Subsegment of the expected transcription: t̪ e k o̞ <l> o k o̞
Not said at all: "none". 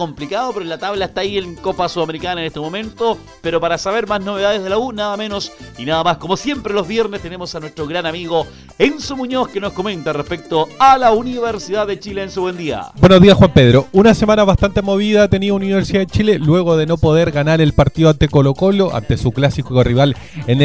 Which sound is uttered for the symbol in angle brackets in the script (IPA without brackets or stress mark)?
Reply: l